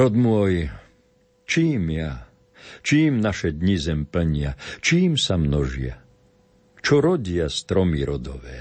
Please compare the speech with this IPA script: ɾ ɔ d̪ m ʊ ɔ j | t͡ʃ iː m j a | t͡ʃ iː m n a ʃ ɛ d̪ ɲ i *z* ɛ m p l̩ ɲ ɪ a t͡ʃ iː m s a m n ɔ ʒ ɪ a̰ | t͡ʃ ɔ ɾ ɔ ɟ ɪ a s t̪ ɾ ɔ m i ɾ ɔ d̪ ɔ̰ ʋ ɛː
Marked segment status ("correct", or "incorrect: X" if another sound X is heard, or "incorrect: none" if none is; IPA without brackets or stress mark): correct